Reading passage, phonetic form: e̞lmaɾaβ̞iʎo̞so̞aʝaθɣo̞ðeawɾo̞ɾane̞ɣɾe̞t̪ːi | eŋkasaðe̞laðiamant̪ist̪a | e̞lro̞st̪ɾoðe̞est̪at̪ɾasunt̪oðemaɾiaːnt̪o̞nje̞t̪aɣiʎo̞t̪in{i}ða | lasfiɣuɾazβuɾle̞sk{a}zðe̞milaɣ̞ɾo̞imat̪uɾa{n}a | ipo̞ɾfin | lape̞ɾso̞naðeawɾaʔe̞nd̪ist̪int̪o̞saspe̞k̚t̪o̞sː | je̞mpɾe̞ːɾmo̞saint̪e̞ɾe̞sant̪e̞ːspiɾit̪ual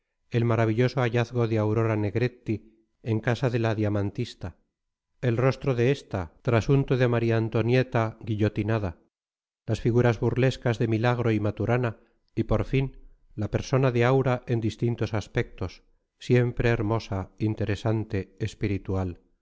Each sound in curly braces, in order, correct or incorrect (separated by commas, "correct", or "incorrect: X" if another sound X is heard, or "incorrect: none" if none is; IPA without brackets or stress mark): incorrect: a, correct, correct